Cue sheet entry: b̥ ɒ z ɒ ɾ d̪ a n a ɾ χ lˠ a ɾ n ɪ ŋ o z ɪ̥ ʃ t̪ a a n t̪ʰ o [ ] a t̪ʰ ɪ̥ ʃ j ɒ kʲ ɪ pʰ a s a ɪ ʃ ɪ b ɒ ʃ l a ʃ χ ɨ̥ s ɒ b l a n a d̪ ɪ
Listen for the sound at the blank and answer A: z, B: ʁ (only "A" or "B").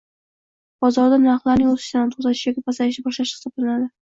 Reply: A